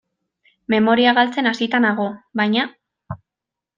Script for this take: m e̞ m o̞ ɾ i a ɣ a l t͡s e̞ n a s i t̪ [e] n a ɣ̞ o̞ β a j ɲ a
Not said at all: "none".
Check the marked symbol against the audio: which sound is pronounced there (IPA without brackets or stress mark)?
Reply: a